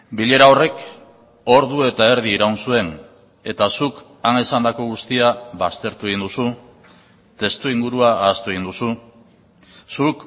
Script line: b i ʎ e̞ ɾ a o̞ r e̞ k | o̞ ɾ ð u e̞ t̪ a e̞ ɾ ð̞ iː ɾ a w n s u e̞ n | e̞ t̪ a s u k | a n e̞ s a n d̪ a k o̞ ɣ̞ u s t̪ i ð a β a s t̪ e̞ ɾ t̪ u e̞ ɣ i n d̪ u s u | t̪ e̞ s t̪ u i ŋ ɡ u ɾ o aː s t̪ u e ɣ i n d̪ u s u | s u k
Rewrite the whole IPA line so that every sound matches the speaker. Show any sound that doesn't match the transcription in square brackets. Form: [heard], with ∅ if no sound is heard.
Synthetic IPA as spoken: b i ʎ e̞ ɾ a o̞ r e̞ k | o̞ ɾ ð u e̞ t̪ a e̞ ɾ ð̞ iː ɾ a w n s u e̞ n | e̞ t̪ a s u k | a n e̞ s a n d̪ a k o̞ ɣ̞ u s t̪ i [∅] a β a s t̪ e̞ ɾ t̪ u e̞ ɣ i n d̪ u s u | t̪ e̞ s t̪ u i ŋ ɡ u ɾ [u] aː s t̪ u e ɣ i n d̪ u s u | s u k

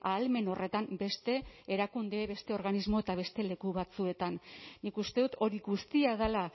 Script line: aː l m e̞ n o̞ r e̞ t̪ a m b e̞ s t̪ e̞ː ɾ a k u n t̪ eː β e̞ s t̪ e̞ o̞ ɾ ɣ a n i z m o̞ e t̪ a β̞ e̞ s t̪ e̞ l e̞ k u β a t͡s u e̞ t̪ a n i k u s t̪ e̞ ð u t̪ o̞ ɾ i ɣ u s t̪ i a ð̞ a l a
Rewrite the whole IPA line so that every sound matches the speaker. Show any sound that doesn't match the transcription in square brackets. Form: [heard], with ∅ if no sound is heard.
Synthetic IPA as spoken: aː l m e̞ n o̞ r e̞ t̪ a m b e̞ s t̪ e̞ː ɾ a k u n [d̪] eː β e̞ s t̪ e̞ o̞ ɾ ɣ a n i z m o̞ e t̪ a β̞ e̞ s t̪ e̞ l e̞ k u β a t͡s u e̞ t̪ a [nː] i k u s t̪ e̞ ð u t̪ o̞ ɾ i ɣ u s t̪ i a ð̞ a l a

